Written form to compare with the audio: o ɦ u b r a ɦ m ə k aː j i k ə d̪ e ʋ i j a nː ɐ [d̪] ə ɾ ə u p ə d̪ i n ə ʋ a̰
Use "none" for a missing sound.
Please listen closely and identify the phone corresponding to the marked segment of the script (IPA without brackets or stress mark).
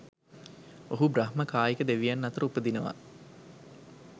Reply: t̪